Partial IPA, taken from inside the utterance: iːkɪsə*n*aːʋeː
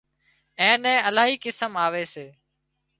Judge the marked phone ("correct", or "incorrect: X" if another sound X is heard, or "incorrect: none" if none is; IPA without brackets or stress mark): incorrect: m